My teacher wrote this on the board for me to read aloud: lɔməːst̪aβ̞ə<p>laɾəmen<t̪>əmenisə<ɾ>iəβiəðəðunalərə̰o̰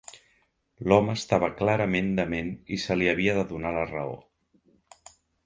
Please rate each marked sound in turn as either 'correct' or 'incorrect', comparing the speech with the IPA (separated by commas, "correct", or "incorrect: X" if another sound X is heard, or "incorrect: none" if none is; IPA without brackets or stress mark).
incorrect: k, incorrect: d̪, incorrect: l